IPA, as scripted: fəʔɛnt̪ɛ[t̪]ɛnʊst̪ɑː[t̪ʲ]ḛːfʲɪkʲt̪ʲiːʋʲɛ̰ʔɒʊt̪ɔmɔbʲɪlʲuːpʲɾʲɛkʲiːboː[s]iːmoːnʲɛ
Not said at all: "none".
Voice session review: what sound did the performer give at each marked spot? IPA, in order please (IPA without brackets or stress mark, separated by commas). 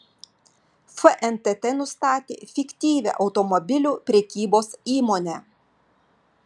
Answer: t̪, t̪ʲ, s